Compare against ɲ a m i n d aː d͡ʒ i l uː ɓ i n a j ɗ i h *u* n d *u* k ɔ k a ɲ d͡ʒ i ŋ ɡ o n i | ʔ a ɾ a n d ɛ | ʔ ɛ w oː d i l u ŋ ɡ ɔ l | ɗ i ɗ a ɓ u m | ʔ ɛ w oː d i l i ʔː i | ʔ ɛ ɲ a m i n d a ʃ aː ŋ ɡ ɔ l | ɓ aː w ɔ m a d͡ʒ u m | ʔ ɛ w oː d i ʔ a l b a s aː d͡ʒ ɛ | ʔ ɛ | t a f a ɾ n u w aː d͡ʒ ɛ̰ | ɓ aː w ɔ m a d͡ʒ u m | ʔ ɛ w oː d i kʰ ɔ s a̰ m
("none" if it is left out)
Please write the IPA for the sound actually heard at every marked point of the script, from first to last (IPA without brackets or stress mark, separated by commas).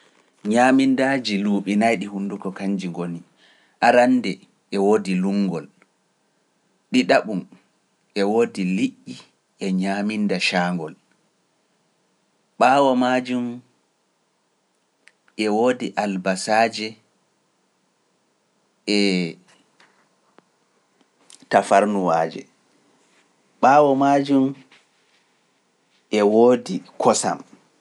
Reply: u, u